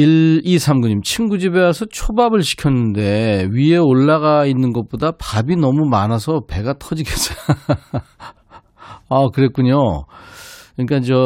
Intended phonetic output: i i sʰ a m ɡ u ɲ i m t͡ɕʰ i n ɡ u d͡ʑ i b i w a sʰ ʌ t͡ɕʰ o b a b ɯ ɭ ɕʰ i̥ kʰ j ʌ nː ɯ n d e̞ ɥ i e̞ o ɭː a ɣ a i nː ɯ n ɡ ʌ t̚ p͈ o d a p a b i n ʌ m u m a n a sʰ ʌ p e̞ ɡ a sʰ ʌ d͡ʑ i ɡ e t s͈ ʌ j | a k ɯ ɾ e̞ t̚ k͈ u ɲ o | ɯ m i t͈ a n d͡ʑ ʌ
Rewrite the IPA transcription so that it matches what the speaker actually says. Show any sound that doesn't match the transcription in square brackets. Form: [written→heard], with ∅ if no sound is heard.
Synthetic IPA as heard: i i sʰ a m ɡ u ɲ i m t͡ɕʰ i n ɡ u d͡ʑ i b [i→e] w a sʰ ʌ t͡ɕʰ o b a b ɯ ɭ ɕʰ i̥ kʰ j ʌ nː ɯ n d e̞ ɥ i e̞ o ɭː a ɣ a i nː ɯ n ɡ ʌ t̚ p͈ o d a p a b i n ʌ m u m a n a sʰ ʌ p e̞ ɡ a [sʰ→tʰ] ʌ d͡ʑ i ɡ e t s͈ ʌ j | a k ɯ ɾ e̞ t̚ k͈ u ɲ o | ɯ [m→ɲ] i [t͈→k͈] a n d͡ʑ ʌ